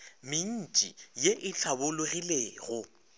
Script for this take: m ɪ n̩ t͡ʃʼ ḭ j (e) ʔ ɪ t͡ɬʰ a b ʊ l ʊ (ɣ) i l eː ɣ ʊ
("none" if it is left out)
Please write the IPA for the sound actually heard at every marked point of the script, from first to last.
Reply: e, ɣ

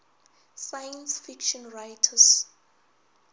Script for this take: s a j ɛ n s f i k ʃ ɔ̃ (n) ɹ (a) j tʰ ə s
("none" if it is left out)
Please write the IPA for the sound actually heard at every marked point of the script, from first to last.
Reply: n, a

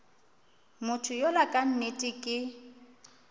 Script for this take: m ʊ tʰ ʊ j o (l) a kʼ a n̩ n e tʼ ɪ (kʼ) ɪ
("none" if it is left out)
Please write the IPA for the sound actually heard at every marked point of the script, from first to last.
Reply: l, kʼ

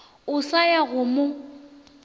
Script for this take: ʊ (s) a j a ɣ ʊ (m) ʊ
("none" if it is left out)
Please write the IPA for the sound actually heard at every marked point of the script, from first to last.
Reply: s, m

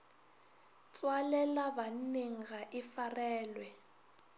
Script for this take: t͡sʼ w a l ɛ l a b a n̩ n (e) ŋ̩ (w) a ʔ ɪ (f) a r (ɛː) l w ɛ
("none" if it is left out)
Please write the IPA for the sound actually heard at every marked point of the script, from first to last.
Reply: e, ɣ, f, ɛː

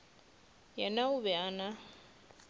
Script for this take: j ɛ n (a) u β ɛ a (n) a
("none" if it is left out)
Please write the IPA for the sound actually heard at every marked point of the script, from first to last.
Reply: a, n

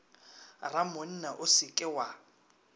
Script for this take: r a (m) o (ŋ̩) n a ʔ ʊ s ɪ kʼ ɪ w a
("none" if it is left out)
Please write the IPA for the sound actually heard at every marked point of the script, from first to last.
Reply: m, n̩

